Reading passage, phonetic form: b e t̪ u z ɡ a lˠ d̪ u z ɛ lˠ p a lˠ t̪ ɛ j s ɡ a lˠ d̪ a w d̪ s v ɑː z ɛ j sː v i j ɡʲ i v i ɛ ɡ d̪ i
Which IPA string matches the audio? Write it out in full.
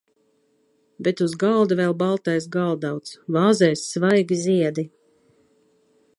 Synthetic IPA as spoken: b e t̪ u z ɡ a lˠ d̪ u v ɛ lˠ b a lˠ t̪ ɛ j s ɡ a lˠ d̪ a w t̪ s v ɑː z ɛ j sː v a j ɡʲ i z i ɛ d̪ i